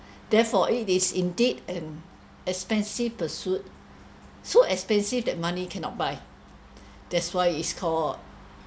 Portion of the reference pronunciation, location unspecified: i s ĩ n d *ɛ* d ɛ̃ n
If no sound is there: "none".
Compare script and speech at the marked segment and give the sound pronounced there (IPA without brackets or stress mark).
i